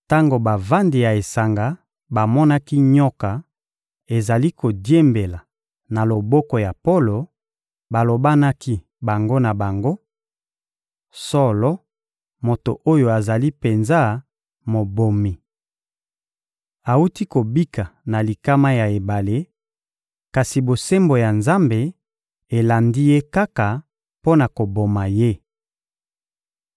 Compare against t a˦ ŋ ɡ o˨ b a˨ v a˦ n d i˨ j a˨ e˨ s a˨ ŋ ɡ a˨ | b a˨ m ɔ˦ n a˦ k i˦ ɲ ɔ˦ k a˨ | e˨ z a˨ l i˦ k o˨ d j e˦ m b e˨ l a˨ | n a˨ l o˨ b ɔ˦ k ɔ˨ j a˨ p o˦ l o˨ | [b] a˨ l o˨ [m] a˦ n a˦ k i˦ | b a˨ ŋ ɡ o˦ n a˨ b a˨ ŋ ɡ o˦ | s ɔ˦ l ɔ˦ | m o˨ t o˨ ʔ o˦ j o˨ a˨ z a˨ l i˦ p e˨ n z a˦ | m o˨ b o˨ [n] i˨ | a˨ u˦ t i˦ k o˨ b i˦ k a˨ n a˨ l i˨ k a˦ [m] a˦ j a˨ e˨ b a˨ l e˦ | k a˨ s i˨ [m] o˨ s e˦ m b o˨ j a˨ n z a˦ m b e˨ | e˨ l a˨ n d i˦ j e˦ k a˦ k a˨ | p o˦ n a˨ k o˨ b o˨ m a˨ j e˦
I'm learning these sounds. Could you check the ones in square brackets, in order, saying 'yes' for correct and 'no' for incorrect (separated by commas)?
yes, no, no, yes, no